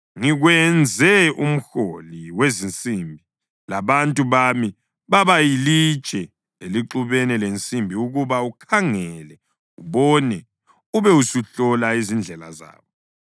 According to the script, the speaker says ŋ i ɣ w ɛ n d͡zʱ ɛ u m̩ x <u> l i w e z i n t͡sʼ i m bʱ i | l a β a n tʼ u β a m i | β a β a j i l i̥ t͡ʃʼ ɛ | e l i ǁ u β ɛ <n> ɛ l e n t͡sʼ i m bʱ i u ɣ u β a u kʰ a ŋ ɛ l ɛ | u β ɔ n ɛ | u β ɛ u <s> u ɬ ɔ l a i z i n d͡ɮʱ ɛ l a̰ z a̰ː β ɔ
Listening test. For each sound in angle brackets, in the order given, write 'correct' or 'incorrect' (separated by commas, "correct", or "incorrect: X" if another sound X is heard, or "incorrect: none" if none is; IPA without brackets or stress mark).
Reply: incorrect: o, correct, correct